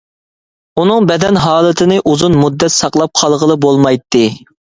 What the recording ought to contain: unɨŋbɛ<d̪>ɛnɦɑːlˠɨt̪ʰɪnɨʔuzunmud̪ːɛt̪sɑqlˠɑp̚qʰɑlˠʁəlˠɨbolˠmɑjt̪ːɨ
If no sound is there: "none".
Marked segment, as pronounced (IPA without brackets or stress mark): d̪